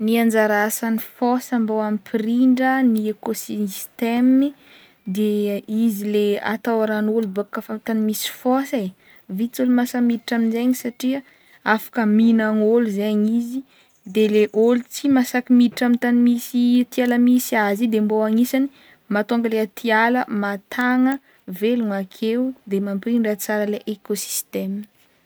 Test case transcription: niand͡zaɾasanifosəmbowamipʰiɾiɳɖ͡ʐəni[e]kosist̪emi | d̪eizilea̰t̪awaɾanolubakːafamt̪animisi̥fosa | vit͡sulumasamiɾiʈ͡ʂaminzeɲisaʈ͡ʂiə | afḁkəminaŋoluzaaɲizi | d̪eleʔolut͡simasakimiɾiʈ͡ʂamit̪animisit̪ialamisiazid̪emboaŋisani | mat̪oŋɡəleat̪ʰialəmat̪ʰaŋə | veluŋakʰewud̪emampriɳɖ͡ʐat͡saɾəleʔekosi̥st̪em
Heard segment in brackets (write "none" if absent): e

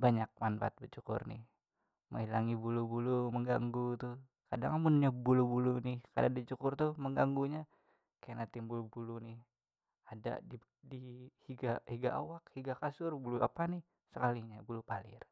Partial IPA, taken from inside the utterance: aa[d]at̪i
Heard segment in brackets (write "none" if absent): n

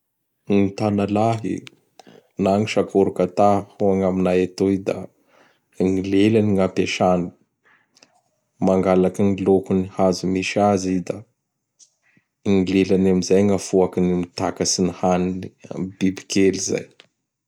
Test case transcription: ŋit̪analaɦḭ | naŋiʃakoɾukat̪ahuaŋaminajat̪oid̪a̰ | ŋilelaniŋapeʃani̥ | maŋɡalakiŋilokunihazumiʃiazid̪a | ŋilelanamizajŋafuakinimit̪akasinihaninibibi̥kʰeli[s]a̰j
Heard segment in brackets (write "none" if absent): z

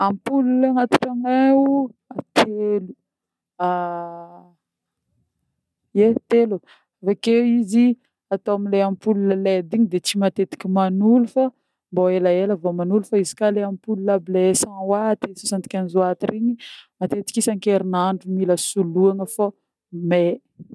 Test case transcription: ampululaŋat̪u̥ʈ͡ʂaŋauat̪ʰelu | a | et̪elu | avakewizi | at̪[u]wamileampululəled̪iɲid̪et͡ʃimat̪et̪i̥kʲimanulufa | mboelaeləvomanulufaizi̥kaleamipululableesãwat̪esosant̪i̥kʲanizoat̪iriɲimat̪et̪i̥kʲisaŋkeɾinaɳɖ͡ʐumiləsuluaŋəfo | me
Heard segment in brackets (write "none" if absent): o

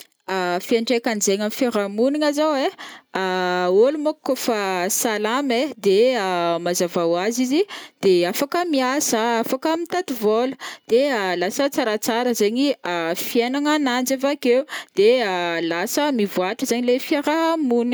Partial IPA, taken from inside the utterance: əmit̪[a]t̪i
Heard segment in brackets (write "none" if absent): a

